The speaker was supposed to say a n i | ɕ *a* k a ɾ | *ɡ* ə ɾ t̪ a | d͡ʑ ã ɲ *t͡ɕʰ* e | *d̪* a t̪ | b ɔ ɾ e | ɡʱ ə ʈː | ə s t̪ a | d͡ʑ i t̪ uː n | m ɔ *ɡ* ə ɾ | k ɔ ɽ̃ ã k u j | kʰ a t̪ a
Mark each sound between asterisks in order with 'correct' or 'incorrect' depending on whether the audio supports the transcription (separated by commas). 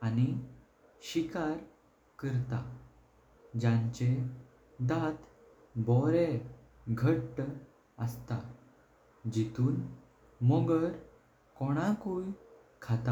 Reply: incorrect, incorrect, incorrect, correct, correct